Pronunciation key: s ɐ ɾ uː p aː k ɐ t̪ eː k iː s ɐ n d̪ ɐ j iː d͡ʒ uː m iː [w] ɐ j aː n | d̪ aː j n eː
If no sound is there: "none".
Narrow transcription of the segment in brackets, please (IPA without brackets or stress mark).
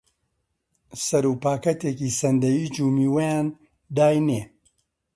w